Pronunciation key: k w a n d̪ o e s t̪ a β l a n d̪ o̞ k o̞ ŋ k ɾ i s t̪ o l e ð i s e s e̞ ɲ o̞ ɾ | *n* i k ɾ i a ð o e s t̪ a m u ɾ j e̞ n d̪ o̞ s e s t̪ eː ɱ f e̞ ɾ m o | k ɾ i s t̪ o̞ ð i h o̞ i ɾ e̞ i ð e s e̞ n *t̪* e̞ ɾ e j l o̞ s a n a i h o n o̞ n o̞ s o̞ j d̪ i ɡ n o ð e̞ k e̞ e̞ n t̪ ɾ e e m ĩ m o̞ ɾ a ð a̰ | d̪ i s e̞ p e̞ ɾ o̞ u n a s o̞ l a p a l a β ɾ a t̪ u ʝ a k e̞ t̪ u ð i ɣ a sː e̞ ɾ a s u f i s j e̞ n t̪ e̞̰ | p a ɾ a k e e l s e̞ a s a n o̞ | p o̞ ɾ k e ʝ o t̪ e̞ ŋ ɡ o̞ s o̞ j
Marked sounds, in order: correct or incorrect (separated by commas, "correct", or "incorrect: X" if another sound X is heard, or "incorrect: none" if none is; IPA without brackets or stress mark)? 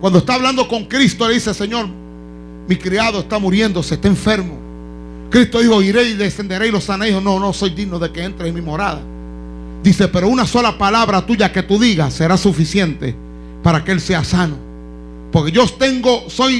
incorrect: m, incorrect: d̪